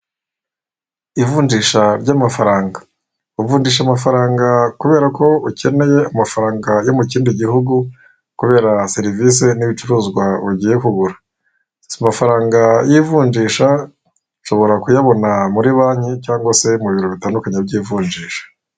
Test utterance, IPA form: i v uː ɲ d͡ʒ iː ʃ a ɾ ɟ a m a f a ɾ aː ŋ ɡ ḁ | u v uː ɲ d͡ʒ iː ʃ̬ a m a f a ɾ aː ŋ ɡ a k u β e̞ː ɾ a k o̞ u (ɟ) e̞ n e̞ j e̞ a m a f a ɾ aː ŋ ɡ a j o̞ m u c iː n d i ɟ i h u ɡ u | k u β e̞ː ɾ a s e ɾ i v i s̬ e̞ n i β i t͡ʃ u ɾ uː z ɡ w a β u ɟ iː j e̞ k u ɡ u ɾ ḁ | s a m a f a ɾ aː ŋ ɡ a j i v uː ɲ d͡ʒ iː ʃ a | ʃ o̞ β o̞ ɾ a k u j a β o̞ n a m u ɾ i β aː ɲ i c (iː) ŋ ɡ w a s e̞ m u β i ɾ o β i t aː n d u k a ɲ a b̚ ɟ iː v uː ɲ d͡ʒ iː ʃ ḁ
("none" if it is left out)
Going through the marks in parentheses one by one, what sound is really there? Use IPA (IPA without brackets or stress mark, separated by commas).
c, aː